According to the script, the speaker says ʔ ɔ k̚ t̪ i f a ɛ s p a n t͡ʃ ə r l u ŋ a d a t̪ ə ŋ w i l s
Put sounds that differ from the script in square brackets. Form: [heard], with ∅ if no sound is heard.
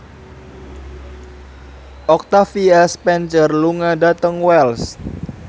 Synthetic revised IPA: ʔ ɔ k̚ t̪ [a] f [i] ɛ s p [ɛ] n t͡ʃ ə r l u ŋ a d a t̪ ə ŋ w [ɛ] l s